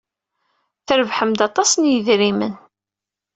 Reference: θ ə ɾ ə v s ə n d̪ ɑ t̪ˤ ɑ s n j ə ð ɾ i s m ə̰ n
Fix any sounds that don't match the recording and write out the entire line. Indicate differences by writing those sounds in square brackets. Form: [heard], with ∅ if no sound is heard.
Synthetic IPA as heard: θ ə ɾ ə v [ħ] ə [m] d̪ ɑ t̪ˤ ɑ s n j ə ð ɾ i [∅] m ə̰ n

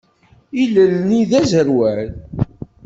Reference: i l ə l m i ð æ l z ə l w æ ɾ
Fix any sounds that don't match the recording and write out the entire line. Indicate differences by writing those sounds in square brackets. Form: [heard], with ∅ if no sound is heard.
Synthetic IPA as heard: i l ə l [n] i ð æ [∅] z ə [ɾ] w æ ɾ

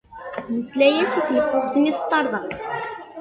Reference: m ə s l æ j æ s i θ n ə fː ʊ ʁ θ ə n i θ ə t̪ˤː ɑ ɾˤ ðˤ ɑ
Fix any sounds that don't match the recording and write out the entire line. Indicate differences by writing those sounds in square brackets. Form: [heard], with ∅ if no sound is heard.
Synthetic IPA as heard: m ə s l æ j æ s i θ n ə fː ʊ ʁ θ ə n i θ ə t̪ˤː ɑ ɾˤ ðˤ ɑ

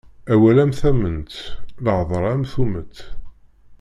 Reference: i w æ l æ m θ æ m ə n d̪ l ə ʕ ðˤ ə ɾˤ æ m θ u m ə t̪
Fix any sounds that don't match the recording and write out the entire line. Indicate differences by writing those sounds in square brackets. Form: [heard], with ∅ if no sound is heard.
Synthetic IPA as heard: [æ] w æ l æ m θ æ m ə n [t̪] l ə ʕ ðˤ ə ɾˤ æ m θ u m ə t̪

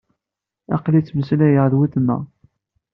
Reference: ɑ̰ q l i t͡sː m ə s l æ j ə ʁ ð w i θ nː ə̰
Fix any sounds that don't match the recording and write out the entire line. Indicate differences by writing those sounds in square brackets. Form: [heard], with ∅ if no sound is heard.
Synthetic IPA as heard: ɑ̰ q l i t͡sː m ə s l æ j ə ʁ ð w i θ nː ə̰

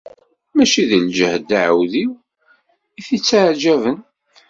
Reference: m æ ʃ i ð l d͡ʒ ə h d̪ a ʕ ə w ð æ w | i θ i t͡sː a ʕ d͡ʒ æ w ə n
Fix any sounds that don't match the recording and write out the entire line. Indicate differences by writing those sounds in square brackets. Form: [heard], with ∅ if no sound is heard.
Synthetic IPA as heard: m æ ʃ i ð l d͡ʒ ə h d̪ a ʕ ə w ð [i] w | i θ i t͡sː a ʕ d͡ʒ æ [v] ə n

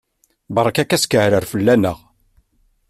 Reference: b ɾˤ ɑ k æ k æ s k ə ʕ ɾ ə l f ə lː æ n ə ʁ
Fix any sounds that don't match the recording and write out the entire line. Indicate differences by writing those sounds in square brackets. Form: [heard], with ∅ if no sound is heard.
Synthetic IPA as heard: b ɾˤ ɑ k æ k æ s k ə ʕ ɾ ə [ɾ] f ə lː æ n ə ʁ

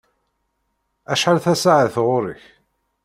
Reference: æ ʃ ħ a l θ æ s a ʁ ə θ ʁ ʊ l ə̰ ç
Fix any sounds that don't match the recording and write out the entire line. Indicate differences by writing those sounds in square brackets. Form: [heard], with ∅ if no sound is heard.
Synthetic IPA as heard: æ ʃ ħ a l θ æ s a [ʕ] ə θ ʁ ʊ [ɾ] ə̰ ç

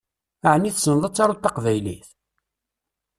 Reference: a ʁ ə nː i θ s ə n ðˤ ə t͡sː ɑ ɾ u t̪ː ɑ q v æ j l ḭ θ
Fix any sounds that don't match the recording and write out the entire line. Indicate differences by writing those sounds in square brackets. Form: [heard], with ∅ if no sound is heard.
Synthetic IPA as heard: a [ʕ] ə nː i θ s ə n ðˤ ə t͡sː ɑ ɾ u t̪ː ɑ q v æ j l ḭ θ

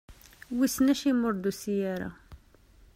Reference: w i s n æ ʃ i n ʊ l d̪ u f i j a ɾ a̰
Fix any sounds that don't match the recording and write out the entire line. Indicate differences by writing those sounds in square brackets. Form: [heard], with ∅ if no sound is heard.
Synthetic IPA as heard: w i s n æ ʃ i [m] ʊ [ɾ] d̪ u [s] i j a ɾ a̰

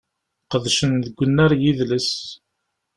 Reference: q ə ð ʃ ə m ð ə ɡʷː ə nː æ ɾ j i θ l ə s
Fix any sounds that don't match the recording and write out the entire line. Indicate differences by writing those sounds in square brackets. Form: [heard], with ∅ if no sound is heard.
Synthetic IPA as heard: q ə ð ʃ ə [n] ð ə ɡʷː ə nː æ ɾ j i [ð] l ə s

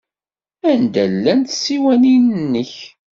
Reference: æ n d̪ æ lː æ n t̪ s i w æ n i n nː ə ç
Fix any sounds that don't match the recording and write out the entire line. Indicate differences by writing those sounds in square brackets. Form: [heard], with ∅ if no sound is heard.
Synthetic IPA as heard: æ n d̪ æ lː æ n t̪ s i w æ n i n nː ə ç

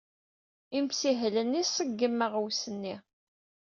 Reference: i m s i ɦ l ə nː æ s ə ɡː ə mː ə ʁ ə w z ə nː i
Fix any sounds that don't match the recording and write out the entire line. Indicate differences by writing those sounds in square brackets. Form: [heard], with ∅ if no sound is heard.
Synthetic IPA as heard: i m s i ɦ l ə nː [i] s ə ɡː ə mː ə ʁ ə w [s] ə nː i

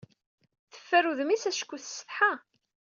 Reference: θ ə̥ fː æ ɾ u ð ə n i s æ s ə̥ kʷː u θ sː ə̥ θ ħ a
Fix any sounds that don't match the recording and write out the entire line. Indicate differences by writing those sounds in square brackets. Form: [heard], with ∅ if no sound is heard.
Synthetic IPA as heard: θ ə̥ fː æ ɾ u ð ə [m] i s æ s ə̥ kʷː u θ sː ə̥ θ ħ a

